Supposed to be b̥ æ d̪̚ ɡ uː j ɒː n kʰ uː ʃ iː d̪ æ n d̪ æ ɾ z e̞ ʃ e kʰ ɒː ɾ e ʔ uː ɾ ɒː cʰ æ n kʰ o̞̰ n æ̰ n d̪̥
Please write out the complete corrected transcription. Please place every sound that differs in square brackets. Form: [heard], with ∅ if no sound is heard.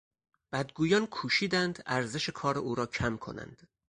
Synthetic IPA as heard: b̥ æ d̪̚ ɡ uː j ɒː n kʰ uː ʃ iː d̪ æ n d̪ æ ɾ z e̞ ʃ e kʰ ɒː ɾ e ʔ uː ɾ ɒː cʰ æ [m] kʰ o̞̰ n æ̰ n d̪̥